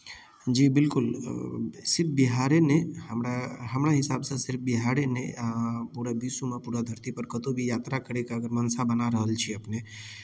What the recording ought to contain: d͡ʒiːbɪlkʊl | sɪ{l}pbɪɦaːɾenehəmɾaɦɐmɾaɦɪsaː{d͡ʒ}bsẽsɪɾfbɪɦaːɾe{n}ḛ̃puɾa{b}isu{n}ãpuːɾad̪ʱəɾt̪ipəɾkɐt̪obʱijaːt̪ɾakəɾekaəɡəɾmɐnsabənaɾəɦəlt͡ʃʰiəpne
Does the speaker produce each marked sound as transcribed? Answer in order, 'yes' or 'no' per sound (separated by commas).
no, no, yes, yes, no